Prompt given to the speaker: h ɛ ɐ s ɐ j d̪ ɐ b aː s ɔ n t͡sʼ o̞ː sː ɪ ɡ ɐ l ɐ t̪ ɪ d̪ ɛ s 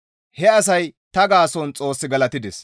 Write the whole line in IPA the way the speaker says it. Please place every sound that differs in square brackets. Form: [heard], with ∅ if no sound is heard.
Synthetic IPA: h ɛ ɐ s ɐ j [t̪] ɐ [ɡ] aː s ɔ n t͡sʼ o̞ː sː ɪ ɡ ɐ l ɐ t̪ ɪ d̪ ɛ s